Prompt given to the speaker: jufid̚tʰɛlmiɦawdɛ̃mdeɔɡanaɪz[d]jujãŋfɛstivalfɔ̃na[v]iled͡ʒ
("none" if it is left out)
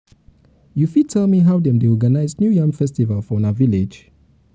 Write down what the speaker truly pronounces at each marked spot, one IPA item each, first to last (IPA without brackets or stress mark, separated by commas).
n, v